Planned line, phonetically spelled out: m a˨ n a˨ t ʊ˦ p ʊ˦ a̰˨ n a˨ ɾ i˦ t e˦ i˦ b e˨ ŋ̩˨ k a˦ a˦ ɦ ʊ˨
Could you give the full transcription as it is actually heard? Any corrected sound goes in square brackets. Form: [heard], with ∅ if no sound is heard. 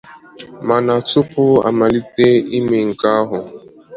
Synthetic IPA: m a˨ n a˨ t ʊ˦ p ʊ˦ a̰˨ [m] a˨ [l] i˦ t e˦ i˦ [m] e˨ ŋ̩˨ k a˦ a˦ ɦ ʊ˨

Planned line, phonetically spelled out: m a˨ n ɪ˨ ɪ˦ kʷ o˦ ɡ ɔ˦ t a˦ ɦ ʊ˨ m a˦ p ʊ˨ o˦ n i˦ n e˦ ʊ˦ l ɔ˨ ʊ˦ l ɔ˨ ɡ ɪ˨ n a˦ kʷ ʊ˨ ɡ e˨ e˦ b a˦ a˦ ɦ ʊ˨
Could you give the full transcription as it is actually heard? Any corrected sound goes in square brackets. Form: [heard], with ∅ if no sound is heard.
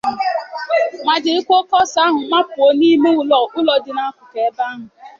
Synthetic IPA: m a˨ [d] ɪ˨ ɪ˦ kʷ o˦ [k] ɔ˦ [s] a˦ ɦ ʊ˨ m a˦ p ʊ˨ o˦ n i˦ [m] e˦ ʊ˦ l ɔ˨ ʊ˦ l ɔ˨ [d] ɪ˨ n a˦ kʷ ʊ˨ [k] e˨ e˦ b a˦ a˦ ɦ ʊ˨

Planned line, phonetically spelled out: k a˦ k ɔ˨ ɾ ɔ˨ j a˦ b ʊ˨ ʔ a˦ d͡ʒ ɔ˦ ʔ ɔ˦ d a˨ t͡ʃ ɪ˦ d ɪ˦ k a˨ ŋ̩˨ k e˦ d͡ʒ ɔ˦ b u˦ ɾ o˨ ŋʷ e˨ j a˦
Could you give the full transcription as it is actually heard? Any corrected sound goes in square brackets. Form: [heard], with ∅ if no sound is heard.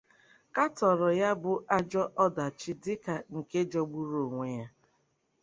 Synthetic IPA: k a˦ [t] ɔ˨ ɾ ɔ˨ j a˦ b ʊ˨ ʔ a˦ d͡ʒ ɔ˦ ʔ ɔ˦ d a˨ t͡ʃ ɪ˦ d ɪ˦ k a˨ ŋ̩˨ k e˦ d͡ʒ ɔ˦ [ɡ͡b] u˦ ɾ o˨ ŋʷ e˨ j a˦

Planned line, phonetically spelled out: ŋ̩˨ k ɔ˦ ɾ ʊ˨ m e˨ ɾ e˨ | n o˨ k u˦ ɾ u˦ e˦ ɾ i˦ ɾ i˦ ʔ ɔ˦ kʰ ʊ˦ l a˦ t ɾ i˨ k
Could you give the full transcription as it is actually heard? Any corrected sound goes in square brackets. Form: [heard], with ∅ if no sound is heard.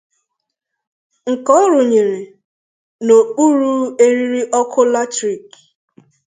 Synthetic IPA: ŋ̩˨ k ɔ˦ ɾ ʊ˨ [ɲ] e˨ ɾ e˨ | n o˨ [k͡p] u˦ ɾ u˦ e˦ ɾ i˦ ɾ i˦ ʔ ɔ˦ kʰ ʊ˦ l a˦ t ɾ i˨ k

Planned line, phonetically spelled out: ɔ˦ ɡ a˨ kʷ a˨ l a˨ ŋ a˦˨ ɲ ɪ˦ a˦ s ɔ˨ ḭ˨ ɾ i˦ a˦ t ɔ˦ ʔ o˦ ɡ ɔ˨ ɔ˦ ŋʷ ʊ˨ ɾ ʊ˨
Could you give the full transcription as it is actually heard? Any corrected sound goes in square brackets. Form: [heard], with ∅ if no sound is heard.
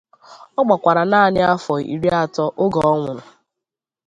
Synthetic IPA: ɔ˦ [ɡ͡b] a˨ kʷ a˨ [ɾ] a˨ [n] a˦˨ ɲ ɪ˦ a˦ [f] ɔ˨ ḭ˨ ɾ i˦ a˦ t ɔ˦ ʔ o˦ ɡ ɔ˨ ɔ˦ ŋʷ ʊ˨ ɾ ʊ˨

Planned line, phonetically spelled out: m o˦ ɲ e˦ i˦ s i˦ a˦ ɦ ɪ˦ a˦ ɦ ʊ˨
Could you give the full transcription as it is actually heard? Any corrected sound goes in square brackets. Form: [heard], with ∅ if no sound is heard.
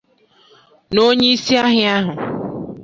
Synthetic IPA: [n] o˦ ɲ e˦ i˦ s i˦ a˦ ɦ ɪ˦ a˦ ɦ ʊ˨

